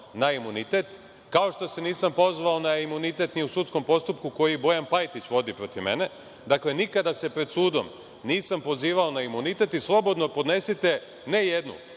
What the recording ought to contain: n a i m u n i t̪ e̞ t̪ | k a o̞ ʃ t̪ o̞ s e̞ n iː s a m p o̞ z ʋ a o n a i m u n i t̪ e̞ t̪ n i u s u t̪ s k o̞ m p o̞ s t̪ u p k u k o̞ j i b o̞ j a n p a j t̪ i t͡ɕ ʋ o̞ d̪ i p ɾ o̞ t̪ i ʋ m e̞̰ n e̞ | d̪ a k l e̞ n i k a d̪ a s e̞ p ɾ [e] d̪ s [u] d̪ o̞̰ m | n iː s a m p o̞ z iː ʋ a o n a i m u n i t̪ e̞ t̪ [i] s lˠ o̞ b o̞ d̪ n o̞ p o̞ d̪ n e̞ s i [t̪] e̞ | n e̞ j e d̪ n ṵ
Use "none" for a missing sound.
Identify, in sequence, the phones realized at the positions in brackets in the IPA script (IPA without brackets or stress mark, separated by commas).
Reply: e, uː, i, t̪